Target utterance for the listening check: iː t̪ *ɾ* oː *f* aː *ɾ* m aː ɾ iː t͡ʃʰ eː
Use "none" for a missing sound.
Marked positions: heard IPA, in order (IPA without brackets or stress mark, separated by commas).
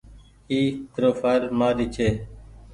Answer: ɾ, f, ɾ